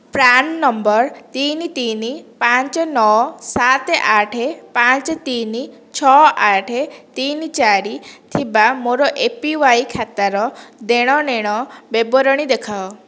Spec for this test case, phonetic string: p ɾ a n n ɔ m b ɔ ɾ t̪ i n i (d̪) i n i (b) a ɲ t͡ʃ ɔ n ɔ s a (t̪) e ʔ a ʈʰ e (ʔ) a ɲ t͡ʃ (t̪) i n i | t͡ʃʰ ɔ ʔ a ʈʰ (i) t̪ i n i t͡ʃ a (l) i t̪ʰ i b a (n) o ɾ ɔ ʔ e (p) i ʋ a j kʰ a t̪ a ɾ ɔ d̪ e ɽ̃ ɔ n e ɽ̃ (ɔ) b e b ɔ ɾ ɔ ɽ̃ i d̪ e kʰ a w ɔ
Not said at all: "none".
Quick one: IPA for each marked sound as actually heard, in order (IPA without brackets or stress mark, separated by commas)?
t̪, p, t̪, p, t̪, e, ɾ, m, p, ɔ